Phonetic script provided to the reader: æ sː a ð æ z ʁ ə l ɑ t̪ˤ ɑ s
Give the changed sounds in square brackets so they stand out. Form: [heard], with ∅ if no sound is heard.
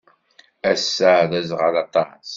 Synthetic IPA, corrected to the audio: æ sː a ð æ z ʁ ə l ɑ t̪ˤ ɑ s